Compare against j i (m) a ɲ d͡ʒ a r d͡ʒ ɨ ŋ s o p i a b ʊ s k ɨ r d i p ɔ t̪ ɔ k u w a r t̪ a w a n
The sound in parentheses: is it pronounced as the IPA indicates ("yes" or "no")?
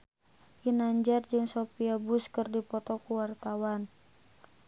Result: no